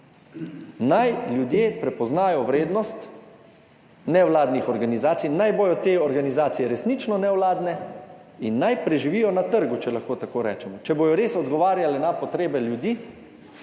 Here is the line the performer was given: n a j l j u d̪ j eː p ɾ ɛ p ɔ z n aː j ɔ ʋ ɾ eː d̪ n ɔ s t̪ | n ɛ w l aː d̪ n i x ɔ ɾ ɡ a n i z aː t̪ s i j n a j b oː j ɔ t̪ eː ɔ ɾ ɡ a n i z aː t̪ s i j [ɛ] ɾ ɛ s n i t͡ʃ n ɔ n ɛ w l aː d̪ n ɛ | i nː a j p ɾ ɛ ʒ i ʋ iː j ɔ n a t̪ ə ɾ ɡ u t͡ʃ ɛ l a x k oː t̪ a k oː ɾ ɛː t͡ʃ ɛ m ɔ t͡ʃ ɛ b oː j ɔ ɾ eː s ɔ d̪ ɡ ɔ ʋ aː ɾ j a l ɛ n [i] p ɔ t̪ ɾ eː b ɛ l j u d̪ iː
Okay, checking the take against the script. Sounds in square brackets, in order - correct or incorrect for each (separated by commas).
correct, incorrect